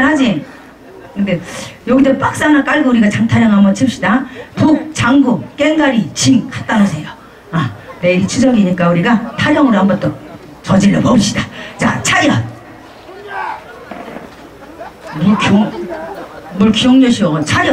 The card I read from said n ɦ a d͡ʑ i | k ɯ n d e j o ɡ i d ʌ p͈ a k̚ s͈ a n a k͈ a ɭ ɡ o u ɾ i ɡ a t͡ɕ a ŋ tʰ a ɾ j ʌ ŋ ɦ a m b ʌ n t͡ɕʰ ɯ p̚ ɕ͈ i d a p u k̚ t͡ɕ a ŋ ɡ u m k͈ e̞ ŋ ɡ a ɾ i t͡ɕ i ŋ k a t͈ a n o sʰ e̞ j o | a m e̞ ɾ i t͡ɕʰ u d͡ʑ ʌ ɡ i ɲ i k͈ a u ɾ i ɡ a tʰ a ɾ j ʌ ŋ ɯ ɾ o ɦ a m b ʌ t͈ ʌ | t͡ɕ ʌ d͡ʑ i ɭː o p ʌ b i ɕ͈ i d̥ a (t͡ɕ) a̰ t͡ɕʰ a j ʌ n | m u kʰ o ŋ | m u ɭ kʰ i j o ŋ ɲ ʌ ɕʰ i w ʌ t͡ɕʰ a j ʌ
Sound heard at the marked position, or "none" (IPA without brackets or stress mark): t͡ɕ